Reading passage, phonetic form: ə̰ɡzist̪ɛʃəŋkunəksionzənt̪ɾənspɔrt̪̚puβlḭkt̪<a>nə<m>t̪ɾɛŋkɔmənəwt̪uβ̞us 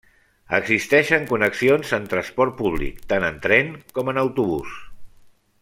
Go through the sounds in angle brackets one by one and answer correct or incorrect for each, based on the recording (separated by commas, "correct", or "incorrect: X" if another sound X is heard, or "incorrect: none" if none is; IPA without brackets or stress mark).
correct, incorrect: n